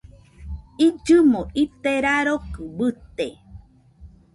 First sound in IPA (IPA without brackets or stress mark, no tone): i